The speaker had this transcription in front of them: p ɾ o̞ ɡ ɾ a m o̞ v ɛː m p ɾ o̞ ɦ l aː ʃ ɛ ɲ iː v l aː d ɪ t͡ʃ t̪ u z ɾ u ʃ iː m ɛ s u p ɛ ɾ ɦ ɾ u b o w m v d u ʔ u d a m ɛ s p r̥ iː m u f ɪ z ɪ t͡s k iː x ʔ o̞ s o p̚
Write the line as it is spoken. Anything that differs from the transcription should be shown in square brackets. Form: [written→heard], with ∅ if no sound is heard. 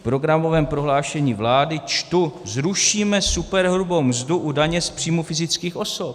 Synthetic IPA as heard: p ɾ o̞ ɡ ɾ a m o̞ v ɛː m p ɾ o̞ ɦ l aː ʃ ɛ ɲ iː v l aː d ɪ t͡ʃ t̪ u z ɾ u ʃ iː m ɛ s u p ɛ ɾ ɦ ɾ u b o w m [v→z] d u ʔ u d a [m→ɲ] ɛ s p r̥ iː m u f ɪ z ɪ t͡s k iː x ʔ o̞ s o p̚